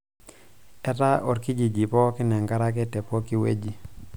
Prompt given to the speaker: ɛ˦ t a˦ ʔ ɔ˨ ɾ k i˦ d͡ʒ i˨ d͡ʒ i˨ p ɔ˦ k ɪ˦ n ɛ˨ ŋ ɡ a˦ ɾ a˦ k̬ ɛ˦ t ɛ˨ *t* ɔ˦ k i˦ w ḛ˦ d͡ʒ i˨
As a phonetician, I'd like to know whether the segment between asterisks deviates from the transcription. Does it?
yes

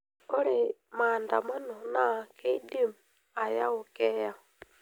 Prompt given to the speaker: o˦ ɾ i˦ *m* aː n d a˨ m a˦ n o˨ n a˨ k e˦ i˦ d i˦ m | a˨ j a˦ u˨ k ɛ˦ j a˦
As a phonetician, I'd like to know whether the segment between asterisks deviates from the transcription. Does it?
no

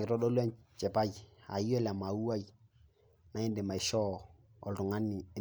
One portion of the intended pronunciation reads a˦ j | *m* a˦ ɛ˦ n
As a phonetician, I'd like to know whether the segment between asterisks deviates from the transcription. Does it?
yes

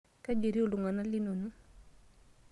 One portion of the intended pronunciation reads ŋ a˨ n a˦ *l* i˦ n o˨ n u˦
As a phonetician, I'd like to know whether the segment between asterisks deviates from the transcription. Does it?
no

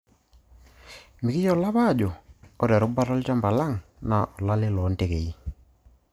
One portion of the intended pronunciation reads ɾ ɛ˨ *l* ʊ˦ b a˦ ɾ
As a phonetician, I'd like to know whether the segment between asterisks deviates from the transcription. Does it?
yes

